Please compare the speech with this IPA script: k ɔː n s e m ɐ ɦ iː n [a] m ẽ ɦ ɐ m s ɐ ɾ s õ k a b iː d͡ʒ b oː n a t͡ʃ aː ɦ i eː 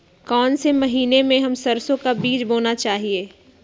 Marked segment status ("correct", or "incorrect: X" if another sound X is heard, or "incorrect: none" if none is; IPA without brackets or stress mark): incorrect: e